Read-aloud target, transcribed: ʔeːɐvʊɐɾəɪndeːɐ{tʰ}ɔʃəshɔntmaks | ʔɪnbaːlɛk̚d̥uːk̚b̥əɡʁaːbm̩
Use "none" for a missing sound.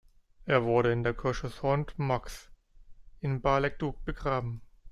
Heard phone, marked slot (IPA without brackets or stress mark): kʰ